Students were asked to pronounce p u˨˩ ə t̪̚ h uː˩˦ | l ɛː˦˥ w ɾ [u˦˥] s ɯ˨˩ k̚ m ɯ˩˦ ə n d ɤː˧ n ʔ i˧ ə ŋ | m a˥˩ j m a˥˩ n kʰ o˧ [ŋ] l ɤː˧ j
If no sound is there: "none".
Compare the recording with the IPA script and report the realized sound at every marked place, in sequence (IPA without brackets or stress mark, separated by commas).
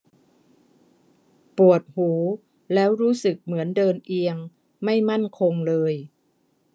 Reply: uː˦˥, ŋ